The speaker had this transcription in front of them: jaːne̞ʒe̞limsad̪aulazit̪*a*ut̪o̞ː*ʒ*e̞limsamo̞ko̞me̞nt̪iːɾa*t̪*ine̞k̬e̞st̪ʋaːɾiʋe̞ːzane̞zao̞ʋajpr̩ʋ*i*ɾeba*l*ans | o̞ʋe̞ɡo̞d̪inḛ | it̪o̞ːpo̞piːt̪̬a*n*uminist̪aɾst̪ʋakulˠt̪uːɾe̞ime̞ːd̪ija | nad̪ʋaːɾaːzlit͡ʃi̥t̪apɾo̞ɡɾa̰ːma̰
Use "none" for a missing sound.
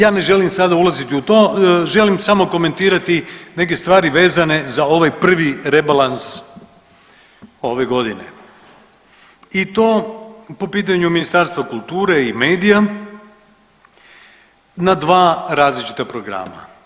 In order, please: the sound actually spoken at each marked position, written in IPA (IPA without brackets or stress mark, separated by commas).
i, ʒ, t̪, i, l, ɲ